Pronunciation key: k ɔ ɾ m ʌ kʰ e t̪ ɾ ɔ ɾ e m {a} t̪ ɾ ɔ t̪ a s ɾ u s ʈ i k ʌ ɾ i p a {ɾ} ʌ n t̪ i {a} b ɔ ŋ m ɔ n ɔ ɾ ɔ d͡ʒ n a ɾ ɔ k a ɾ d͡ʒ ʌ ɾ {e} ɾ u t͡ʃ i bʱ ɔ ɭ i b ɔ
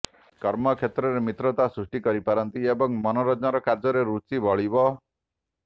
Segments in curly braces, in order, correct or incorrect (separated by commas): incorrect, correct, incorrect, correct